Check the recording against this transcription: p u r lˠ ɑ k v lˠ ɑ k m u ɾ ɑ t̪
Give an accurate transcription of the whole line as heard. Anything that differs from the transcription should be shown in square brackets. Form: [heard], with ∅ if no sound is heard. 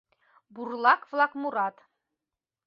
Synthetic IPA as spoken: [b] u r lˠ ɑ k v lˠ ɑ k m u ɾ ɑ t̪